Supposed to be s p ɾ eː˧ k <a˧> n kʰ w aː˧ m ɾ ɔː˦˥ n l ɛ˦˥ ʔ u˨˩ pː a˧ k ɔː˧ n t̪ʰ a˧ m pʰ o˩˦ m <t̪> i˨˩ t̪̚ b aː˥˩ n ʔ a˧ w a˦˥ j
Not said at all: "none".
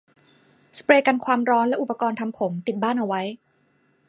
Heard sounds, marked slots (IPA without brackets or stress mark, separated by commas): a˧, t̪